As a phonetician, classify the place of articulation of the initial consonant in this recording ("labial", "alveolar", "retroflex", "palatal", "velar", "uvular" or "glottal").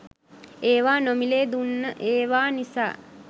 labial